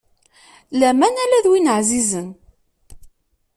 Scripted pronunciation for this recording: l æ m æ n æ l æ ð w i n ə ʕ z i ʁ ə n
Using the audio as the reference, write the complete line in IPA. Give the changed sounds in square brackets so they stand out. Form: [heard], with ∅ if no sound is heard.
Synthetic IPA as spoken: l æ m æ n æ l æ ð w i n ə ʕ z i [z] ə n